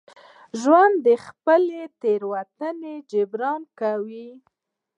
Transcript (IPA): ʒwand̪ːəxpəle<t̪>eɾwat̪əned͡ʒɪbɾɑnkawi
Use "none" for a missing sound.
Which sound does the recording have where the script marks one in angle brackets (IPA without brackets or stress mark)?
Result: t̪